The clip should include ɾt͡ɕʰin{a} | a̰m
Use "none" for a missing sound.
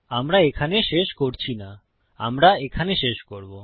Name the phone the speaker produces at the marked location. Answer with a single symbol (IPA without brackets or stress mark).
a